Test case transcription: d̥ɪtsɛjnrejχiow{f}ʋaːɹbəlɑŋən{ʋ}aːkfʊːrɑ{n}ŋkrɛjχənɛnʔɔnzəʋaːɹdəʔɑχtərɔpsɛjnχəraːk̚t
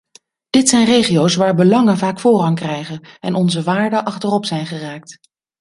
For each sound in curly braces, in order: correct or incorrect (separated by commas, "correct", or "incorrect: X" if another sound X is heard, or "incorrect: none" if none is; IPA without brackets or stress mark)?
incorrect: s, incorrect: v, incorrect: none